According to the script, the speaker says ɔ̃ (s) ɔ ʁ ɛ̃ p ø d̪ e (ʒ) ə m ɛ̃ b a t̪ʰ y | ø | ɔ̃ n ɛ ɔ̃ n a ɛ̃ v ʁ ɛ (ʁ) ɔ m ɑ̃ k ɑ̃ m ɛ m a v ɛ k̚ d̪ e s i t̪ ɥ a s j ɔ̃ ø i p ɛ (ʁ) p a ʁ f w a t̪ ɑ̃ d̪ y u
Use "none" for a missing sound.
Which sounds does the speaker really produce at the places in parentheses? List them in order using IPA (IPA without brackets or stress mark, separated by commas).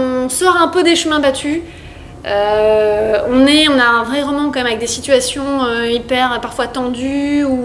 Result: s, ʃ, ʁ, ʁ